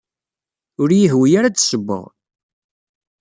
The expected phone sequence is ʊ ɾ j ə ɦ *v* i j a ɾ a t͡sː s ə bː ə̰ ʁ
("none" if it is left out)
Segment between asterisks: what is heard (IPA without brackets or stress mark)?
w